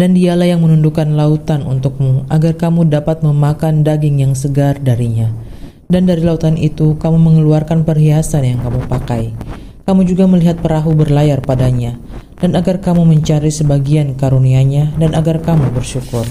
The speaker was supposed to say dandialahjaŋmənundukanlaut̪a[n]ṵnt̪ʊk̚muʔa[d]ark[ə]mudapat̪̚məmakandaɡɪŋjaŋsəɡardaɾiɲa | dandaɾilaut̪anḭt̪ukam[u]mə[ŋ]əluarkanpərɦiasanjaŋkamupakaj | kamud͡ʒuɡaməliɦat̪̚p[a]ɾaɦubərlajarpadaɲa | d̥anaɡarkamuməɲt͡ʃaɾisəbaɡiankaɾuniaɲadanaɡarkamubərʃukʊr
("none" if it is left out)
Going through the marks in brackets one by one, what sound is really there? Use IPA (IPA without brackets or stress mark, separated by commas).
n, ɡ, a, u, ŋ, ə